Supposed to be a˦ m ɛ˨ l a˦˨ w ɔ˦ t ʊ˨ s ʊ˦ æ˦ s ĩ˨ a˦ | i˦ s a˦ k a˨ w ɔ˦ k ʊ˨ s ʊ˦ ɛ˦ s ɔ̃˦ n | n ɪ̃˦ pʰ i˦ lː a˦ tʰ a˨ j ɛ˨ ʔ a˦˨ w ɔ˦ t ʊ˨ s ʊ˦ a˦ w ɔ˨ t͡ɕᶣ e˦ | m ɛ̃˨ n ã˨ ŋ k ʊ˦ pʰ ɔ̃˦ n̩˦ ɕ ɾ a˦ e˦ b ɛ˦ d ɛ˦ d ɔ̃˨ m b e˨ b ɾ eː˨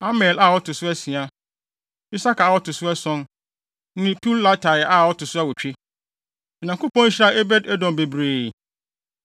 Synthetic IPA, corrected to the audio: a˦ m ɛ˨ l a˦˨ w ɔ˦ t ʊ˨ s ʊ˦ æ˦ s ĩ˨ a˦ | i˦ s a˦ k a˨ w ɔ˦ t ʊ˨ s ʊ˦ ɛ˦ s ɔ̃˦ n | n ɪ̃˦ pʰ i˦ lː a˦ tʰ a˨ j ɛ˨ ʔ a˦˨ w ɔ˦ t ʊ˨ s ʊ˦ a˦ w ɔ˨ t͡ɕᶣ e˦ | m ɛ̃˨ n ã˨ ŋ k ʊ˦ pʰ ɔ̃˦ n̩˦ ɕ ɾ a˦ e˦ b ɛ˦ d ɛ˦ d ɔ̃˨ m b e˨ b ɾ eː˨